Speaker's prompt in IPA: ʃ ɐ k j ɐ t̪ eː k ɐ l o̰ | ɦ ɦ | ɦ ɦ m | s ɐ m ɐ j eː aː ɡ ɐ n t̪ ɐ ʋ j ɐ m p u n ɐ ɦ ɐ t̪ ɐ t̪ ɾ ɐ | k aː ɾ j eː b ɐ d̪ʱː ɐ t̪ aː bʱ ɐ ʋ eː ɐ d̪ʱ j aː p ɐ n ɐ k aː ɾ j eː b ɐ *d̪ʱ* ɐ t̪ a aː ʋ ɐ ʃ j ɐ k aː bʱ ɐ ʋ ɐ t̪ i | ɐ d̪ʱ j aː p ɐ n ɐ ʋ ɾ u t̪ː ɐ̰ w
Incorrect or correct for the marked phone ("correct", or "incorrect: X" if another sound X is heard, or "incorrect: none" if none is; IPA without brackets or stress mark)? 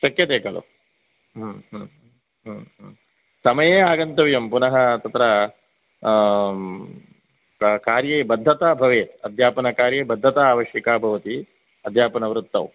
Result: incorrect: d̪ʱː